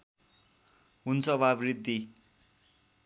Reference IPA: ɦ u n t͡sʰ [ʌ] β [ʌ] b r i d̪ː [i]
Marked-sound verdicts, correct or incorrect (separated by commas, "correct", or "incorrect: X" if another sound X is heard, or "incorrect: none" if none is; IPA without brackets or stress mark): correct, incorrect: a, correct